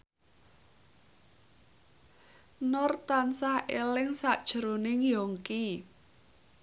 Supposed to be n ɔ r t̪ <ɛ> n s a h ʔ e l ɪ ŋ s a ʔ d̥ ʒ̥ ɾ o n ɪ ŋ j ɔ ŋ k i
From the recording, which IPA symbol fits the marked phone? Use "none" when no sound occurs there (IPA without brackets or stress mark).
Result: a